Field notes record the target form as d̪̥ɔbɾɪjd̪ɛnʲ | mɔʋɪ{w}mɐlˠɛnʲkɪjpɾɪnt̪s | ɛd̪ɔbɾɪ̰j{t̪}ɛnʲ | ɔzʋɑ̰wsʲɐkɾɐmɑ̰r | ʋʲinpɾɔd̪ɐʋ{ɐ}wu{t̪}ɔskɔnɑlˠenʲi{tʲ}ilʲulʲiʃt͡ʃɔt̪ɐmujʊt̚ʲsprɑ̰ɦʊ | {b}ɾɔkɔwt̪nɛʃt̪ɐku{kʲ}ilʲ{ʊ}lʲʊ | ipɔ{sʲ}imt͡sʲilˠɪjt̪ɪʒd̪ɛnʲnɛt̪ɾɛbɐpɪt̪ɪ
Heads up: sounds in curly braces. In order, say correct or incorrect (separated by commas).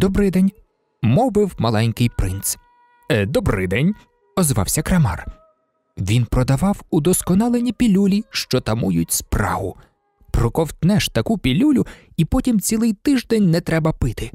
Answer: correct, incorrect, incorrect, incorrect, incorrect, incorrect, incorrect, incorrect, incorrect